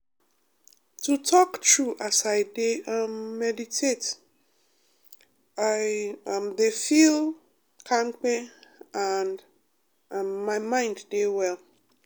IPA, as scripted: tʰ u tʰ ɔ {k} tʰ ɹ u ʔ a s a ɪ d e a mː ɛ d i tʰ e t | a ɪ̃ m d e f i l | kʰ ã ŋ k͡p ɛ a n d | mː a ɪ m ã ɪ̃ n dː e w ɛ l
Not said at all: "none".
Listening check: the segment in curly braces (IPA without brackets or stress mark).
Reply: k